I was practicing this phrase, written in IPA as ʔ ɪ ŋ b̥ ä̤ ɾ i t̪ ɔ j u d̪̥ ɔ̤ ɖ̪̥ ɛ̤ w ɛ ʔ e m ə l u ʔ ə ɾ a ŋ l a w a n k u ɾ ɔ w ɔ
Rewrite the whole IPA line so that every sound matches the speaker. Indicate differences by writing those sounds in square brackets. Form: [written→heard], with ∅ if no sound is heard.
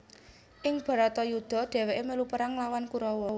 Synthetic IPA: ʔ ɪ ŋ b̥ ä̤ ɾ [i→a] t̪ ɔ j u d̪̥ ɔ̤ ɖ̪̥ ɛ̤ w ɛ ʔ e m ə l u [ʔ→p] ə ɾ a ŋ l a w a n k u ɾ ɔ w ɔ